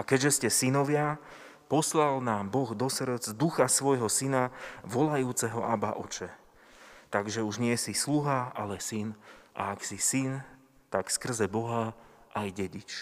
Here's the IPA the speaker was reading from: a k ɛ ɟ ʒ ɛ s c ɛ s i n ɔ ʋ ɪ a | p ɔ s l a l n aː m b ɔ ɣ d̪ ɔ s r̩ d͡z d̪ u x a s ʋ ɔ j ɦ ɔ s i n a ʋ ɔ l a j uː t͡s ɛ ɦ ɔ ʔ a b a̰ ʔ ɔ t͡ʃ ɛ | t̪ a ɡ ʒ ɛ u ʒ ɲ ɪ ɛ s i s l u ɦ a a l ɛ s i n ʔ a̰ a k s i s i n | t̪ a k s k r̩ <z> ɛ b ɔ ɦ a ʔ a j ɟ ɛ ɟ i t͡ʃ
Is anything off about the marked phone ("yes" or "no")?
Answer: no